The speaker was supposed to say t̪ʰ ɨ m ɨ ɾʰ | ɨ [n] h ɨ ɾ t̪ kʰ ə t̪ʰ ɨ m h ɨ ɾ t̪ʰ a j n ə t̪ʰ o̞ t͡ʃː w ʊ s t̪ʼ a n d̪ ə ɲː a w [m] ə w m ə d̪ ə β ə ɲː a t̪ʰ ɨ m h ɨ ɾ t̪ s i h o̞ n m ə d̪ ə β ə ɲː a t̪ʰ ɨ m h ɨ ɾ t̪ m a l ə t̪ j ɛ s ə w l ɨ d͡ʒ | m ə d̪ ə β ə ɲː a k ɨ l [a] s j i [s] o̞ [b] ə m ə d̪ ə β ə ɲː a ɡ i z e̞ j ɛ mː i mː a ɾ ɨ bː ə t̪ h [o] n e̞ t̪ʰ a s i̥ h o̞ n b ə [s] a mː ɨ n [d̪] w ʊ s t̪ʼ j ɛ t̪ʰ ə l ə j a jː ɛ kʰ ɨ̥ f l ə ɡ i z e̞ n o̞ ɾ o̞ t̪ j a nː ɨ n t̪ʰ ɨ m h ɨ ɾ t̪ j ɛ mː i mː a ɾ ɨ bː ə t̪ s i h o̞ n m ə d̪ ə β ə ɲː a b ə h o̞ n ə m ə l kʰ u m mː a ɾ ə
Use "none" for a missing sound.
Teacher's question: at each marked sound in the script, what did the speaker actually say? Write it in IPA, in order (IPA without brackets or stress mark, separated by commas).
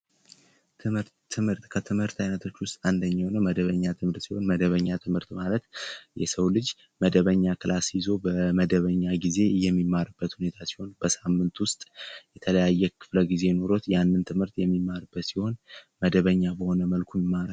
m, n, a, z, b, u, s, t̪